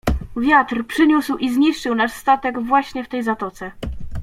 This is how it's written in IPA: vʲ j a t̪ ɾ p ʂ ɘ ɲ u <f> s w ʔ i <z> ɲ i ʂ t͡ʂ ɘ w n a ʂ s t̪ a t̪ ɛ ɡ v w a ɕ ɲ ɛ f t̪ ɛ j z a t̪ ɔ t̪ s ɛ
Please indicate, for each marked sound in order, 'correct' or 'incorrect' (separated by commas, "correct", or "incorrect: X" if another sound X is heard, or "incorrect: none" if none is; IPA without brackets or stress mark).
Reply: incorrect: none, correct